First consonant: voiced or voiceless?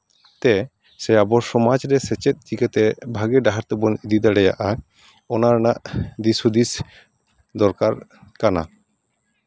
voiceless